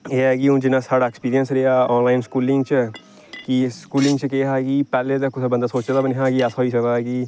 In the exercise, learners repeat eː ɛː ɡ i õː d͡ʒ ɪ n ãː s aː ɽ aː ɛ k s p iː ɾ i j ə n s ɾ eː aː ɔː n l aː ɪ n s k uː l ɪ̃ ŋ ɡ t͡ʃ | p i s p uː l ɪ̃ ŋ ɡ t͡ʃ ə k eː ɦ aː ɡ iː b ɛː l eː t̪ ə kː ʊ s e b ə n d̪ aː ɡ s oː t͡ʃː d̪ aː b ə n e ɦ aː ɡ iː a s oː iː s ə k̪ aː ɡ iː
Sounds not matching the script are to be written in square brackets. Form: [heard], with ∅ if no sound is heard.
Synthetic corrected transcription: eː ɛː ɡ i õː d͡ʒ ɪ n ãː s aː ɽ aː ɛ k s p iː ɾ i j ə n s ɾ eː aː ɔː n l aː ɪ n s k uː l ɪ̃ ŋ ɡ t͡ʃ | [k] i s [k] uː l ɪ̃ ŋ ɡ t͡ʃ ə k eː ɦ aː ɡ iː [p] ɛː l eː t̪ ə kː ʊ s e b ə n d̪ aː [∅] s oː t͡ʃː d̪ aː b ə n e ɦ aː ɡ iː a s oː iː s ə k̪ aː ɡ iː